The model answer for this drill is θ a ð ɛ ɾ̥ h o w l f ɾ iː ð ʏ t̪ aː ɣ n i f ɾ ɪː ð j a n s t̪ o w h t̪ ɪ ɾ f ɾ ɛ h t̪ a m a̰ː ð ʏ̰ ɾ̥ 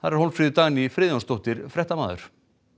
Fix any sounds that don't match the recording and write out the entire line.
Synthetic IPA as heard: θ a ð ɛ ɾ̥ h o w l f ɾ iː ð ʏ t̪ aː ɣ n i f ɾ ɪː ð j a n s t̪ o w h t̪ ɪ ɾ f ɾ ɛ h t̪ a m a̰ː ð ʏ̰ ɾ̥